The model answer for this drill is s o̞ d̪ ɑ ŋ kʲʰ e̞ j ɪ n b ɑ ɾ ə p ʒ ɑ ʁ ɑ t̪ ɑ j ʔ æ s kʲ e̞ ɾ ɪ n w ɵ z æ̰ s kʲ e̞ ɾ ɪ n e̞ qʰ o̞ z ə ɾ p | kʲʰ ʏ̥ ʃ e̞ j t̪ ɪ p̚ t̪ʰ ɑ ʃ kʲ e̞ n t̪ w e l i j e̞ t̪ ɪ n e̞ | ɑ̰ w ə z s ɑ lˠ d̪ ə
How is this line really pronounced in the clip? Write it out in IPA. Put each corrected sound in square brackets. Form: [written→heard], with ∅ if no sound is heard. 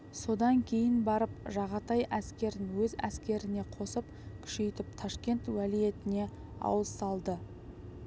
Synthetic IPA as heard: s o̞ d̪ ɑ ŋ kʲʰ e̞ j ɪ n b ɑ ɾ ə p ʒ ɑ ʁ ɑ t̪ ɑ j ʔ æ s kʲ e̞ ɾ ɪ n w ɵ z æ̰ s kʲ e̞ ɾ ɪ n e̞ qʰ o̞ [z→s] ə [ɾ→∅] p | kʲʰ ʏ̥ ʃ e̞ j t̪ ɪ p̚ t̪ʰ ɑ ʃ kʲ e̞ n t̪ w [e→æ] l i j e̞ t̪ ɪ n e̞ | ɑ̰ w ə z s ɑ lˠ d̪ ə